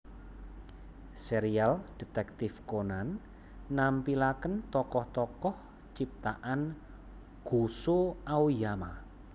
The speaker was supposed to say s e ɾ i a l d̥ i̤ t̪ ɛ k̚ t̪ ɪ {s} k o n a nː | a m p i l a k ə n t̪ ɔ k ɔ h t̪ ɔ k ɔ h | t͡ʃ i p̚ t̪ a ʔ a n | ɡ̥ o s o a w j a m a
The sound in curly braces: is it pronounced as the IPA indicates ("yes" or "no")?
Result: no